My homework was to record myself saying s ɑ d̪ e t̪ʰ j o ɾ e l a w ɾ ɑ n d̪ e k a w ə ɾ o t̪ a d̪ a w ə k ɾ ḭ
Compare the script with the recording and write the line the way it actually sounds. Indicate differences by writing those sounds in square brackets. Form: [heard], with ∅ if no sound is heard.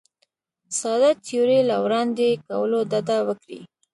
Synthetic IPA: s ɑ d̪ [a] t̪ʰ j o ɾ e l a w ɾ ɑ n d̪ e k a w ə [l] o [d̪] a d̪ a w ə k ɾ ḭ